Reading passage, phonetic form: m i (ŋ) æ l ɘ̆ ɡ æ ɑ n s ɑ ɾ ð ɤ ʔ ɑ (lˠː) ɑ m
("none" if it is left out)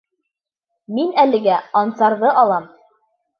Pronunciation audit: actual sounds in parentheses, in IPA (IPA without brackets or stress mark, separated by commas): n, lˠ